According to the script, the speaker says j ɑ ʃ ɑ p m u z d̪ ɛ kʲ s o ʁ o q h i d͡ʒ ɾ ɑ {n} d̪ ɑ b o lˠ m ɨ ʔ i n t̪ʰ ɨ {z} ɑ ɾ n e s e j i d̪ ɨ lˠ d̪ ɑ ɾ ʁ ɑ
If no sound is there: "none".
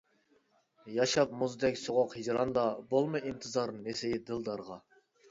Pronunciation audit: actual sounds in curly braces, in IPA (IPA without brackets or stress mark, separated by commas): n, z